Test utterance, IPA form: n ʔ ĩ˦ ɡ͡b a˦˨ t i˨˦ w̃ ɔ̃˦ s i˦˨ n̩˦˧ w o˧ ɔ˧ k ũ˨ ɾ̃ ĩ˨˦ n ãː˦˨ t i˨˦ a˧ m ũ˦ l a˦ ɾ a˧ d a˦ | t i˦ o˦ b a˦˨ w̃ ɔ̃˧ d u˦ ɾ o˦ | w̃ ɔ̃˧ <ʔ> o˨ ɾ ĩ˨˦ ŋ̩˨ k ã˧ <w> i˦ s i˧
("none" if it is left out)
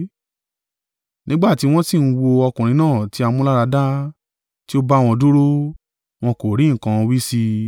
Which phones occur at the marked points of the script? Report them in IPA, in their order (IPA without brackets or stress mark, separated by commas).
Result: k, w